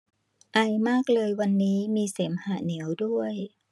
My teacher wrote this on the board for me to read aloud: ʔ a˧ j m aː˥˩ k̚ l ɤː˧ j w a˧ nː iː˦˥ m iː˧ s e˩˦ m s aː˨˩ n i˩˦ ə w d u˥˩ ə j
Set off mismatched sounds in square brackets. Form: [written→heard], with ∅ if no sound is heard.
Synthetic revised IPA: ʔ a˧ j m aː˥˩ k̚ l ɤː˧ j w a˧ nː iː˦˥ m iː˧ s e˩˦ m [s→h] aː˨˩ n i˩˦ ə w d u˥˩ ə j